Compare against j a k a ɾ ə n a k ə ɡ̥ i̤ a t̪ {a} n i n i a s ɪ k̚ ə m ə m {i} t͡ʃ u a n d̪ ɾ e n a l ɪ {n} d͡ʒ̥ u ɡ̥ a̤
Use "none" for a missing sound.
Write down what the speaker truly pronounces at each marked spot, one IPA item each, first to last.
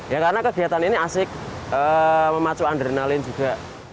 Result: a, a, n

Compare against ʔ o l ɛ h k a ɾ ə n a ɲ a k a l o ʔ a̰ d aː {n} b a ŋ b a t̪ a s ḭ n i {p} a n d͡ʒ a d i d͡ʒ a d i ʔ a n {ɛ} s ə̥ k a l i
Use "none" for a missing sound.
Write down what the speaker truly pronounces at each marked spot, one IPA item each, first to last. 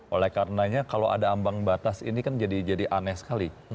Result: m, k, ɛ

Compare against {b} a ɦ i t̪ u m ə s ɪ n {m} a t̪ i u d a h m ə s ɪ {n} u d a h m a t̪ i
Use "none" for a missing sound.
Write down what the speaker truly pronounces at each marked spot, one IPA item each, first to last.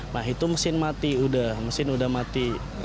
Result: m, m, n

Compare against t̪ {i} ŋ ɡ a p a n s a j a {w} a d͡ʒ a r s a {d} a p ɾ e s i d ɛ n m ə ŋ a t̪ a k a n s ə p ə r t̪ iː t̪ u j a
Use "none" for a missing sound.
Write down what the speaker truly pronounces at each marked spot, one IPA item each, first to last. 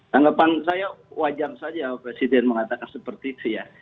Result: a, w, d͡ʒ

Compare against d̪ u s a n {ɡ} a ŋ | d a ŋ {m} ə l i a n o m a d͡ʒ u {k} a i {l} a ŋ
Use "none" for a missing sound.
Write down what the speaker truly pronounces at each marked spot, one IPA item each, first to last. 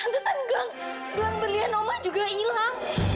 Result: ɡ, b, ɡ, l

